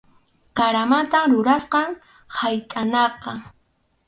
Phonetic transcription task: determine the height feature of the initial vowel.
low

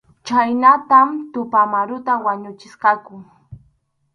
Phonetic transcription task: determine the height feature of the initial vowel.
low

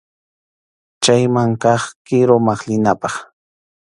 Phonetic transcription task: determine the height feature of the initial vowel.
low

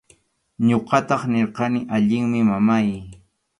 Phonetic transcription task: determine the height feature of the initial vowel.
mid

